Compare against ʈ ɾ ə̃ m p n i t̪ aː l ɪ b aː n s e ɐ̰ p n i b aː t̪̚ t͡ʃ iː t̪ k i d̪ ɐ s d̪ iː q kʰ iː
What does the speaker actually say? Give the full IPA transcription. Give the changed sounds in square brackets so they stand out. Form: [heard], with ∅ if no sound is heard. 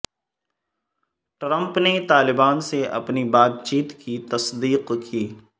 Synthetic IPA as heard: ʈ ɾ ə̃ m p n [e] t̪ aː l ɪ b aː n s e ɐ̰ p n i b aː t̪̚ t͡ʃ iː t̪ k i [t̪] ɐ s d̪ iː q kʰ iː